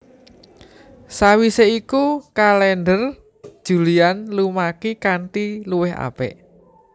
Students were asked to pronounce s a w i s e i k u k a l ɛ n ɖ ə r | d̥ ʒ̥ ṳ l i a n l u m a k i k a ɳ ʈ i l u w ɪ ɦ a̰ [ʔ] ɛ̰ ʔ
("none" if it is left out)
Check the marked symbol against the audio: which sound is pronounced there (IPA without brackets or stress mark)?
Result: p